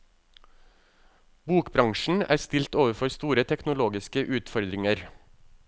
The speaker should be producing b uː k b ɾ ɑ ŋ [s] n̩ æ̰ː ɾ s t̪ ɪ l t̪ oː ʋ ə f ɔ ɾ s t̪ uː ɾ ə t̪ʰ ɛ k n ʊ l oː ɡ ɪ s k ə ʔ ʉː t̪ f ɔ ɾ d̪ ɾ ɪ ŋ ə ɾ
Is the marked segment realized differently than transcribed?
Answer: yes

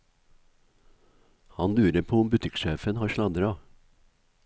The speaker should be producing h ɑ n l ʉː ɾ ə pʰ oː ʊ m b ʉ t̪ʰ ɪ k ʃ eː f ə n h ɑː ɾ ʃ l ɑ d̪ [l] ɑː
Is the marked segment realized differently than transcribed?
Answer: yes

